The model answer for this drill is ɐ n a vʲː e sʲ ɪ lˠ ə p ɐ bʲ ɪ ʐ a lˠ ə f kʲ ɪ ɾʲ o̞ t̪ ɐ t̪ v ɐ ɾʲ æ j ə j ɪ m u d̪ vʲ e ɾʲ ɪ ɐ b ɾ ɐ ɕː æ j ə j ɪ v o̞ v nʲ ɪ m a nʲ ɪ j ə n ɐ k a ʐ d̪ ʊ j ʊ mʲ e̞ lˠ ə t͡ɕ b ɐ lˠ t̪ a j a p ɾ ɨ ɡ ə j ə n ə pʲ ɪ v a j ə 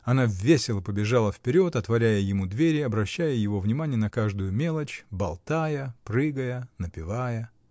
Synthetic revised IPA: ɐ n a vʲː e sʲ ɪ lˠ ə p ə bʲ ɪ ʐ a lˠ ə f pʲ ɪ ɾʲ o̞ t̪ ɐ t̪ v ɐ ɾʲ æ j ə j ɪ m u d̪ vʲ e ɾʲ ɪ ɐ b ɾ ɐ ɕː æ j ə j ɪ v o̞ v nʲ ɪ m a nʲ ɪ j ə n ɐ k a ʐ d̪ ʊ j ʊ mʲ e̞ lˠ ə t͡ɕ b ɐ lˠ t̪ a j ə p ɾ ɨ ɡ ə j ə n ə pʲ ɪ v a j ə